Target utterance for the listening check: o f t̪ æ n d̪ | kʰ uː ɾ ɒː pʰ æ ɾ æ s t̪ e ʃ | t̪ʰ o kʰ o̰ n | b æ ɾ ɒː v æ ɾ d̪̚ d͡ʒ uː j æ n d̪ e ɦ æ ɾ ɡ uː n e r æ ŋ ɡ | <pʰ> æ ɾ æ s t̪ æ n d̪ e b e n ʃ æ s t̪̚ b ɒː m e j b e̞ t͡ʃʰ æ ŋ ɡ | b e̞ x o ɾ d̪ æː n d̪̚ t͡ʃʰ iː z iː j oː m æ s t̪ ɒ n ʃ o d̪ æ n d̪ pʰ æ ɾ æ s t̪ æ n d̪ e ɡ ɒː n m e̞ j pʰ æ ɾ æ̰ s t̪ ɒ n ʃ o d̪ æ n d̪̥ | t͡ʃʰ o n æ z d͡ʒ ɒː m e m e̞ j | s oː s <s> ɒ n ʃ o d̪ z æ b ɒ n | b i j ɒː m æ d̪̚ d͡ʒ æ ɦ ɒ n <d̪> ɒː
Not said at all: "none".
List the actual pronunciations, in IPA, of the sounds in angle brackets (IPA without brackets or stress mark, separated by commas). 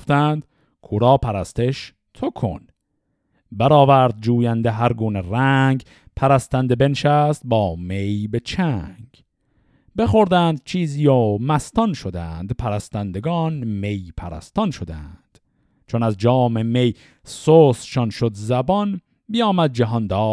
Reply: pʰ, ʃ, d̪